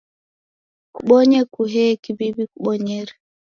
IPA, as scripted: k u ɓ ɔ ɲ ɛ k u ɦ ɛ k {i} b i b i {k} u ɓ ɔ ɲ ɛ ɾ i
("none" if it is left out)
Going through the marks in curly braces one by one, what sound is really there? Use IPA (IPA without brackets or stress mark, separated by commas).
i, k